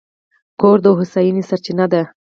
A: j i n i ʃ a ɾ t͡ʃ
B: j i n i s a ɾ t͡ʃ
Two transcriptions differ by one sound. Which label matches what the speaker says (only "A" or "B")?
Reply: B